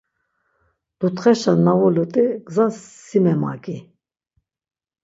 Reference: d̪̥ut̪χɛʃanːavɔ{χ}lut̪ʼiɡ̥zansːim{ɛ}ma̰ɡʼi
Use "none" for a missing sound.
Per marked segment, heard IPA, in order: none, ɛ

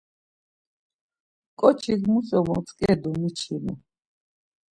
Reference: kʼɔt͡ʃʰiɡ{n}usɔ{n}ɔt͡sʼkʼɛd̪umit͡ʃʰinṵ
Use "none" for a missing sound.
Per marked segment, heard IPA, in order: m, m

